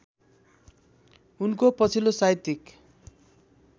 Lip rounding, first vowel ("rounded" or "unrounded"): rounded